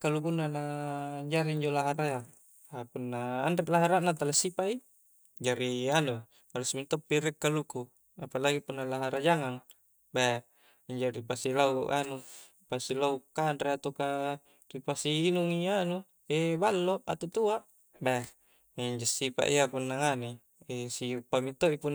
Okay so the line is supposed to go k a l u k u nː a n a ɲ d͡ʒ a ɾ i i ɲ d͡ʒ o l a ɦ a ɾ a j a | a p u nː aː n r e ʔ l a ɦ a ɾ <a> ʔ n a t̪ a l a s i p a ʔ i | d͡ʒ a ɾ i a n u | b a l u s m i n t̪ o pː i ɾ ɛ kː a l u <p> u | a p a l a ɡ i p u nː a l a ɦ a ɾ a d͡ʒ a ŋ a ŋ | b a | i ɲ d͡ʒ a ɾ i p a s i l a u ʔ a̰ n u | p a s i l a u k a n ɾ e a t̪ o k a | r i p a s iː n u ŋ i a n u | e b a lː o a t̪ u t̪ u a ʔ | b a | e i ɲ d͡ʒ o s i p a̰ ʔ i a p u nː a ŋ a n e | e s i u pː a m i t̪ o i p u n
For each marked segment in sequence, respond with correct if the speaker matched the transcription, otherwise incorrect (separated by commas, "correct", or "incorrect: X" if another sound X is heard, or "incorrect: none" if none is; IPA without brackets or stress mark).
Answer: correct, incorrect: k